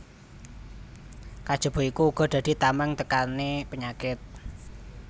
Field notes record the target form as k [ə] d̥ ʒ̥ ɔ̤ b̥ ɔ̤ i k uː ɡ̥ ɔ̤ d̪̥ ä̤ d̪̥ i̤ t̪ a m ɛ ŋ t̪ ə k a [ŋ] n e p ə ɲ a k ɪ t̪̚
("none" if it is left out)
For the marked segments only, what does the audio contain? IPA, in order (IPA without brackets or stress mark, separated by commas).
a, none